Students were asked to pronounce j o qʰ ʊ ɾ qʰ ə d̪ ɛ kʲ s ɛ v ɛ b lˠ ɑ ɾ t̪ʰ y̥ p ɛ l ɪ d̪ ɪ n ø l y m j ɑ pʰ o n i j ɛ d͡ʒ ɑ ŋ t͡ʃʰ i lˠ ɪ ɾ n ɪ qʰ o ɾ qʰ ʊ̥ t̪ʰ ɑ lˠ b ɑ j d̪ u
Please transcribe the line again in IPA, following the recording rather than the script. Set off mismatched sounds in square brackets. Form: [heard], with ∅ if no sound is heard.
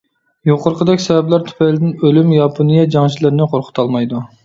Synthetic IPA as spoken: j o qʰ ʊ ɾ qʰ ə d̪ ɛ kʲ s ɛ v ɛ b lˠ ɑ ɾ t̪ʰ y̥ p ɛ l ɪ d̪ ɪ n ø l y m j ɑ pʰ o n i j ɛ d͡ʒ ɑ ŋ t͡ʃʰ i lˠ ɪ ɾ n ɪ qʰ o ɾ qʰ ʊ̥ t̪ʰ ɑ lˠ [m] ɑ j d̪ u